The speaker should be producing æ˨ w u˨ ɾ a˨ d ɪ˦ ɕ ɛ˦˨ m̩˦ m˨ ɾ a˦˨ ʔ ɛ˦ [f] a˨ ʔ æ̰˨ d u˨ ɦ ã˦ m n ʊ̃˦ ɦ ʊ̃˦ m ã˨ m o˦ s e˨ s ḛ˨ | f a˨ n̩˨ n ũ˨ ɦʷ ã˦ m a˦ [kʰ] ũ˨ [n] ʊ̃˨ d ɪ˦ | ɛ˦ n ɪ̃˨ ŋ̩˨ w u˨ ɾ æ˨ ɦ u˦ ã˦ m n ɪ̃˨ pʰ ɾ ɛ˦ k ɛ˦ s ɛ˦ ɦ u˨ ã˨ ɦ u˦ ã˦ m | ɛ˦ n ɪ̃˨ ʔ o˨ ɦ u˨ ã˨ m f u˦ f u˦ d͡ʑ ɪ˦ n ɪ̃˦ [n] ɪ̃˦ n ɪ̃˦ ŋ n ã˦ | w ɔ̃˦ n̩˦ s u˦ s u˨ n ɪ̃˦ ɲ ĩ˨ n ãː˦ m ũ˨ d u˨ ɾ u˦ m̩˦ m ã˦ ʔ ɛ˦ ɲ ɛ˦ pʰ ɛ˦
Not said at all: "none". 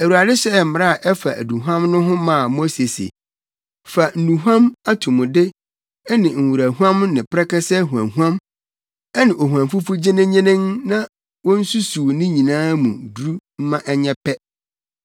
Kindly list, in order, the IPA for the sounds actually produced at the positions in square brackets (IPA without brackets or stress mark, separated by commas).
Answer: f, tʰ, m, ɲ